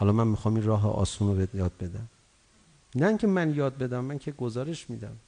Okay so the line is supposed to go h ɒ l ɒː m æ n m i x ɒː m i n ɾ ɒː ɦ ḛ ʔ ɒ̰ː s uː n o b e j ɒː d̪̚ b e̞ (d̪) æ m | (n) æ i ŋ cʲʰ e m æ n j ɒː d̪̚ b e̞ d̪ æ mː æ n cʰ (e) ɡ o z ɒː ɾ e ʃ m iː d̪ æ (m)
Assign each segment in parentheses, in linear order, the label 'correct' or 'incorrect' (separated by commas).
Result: correct, correct, correct, correct